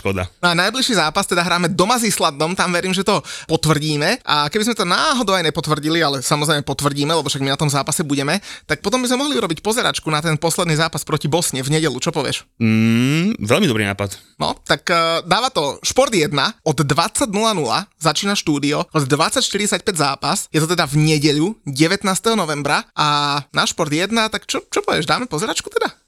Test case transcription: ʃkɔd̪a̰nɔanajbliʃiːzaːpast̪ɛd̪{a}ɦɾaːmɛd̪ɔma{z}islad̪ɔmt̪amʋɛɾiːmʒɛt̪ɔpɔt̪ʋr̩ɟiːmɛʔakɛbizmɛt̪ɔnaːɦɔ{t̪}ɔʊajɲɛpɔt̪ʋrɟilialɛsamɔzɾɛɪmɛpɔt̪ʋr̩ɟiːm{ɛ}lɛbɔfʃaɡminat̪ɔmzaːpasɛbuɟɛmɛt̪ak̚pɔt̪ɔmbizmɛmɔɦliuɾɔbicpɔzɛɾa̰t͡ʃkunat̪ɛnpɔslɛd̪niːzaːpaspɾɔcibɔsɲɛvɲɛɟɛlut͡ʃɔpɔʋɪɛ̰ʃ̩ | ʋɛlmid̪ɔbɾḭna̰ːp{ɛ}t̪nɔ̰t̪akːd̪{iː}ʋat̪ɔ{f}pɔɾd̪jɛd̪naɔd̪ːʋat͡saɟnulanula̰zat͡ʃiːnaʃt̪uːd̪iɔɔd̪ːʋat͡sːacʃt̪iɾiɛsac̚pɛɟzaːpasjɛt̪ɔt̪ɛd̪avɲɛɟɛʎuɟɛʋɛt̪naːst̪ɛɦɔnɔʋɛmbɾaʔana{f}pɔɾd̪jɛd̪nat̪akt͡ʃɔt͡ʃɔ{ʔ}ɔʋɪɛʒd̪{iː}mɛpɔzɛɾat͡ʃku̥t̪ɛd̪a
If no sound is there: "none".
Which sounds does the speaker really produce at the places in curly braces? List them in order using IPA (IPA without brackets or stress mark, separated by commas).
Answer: a, z, d̪, ɛ, a, aː, ʃ, ʃ, p, aː